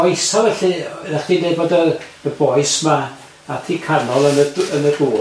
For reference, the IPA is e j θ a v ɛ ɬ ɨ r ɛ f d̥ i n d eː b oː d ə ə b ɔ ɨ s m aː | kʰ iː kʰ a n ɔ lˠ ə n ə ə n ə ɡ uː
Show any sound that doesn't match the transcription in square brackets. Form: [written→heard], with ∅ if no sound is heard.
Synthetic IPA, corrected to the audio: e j [θ→s] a v ɛ ɬ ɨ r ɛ [f→χ] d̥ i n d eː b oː d ə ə b ɔ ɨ s m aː | [kʰ→tʰ] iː kʰ a n ɔ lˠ ə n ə ə n ə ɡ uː